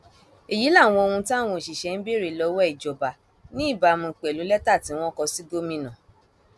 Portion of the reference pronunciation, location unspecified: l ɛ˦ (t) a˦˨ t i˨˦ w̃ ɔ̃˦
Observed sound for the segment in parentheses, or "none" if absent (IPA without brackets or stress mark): t